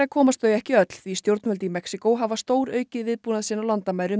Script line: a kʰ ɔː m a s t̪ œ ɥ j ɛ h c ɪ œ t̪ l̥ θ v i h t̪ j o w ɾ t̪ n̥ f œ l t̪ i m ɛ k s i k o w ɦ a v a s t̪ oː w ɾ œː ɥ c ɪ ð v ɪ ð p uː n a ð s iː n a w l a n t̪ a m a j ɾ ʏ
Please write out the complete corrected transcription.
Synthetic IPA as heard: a kʰ ɔː m a s t̪ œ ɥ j ɛ h c ɪ œ t̪ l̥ θ v i s t̪ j o w ɾ t̪ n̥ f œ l t̪ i m ɛ k s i k o w ɦ a v a s t̪ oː w ɾ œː ɥ c ɪ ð v ɪ ð p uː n a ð s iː n a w l a n t̪ a m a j ɾ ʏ